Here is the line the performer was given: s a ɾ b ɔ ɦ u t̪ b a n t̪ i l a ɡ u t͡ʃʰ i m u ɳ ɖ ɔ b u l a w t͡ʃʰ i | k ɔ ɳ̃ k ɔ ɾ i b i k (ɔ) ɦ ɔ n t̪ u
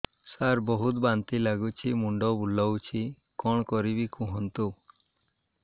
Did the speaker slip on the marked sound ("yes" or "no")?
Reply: yes